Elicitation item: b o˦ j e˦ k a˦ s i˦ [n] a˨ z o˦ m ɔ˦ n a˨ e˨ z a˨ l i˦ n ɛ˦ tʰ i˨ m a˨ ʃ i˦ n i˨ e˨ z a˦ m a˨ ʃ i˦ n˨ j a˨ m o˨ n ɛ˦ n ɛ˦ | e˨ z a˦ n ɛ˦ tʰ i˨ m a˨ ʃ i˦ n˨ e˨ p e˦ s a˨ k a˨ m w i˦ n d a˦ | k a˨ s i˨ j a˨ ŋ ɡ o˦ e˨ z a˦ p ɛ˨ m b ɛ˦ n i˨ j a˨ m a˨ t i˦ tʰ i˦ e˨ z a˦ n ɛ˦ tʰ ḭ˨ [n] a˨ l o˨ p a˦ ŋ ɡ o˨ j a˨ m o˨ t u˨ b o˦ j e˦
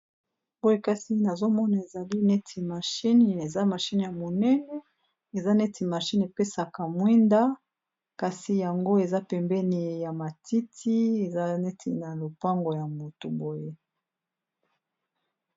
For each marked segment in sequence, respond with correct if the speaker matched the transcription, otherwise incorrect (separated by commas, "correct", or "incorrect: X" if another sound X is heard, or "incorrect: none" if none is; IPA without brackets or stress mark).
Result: correct, correct